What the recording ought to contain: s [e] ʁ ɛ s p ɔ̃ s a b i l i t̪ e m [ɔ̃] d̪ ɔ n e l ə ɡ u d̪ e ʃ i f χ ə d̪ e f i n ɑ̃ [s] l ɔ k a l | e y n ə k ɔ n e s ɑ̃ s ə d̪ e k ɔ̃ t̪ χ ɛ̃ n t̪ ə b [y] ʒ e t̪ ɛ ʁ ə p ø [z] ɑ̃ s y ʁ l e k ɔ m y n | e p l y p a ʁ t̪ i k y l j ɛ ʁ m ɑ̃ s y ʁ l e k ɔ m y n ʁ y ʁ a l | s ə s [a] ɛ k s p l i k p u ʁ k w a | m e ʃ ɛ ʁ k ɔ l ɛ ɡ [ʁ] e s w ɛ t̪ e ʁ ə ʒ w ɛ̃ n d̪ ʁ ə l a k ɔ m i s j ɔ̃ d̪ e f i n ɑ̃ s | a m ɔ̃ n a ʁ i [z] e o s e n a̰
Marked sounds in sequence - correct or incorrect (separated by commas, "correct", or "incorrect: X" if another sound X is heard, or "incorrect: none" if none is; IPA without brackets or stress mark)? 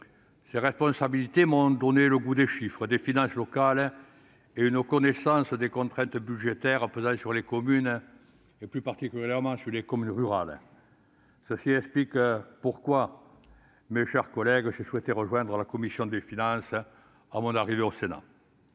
correct, correct, correct, correct, correct, incorrect: i, incorrect: ʒ, incorrect: v